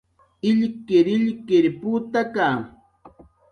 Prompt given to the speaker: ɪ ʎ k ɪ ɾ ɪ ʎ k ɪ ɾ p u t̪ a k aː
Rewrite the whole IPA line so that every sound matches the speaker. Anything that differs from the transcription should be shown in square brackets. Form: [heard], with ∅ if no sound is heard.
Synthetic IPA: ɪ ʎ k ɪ ɾ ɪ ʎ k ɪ ɾ p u t̪ a k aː